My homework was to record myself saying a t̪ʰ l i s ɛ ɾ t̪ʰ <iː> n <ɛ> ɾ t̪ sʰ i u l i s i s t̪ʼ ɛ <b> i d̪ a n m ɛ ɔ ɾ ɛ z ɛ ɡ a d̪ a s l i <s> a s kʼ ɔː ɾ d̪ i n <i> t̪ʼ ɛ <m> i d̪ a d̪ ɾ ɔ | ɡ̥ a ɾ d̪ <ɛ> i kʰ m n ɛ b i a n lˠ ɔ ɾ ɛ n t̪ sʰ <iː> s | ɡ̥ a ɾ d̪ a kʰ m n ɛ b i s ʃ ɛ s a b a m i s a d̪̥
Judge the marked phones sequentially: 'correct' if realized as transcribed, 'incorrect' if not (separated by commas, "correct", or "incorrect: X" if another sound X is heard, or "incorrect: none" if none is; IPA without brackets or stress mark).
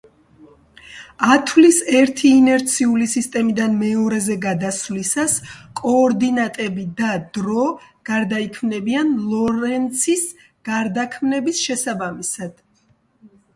correct, correct, incorrect: m, correct, incorrect: a, incorrect: b, incorrect: a, incorrect: i